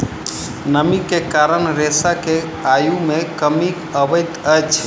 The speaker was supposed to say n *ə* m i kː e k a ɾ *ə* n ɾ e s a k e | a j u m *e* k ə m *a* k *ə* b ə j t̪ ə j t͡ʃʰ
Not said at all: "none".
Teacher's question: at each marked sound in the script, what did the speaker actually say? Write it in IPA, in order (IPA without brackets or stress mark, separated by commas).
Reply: ə, ə, e, i, ə